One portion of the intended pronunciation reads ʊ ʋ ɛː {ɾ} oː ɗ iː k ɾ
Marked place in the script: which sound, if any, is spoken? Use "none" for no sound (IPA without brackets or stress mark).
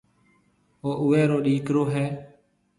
ɾ